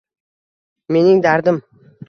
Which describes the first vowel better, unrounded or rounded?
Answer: unrounded